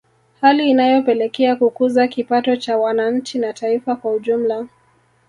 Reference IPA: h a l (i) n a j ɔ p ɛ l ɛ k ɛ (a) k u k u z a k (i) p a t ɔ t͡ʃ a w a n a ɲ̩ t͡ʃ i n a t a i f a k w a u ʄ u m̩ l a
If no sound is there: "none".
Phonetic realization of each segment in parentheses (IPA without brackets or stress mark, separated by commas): iː, a, i